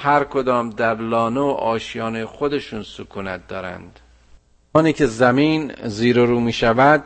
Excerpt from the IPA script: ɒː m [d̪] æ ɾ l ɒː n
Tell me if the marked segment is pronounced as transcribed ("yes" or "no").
yes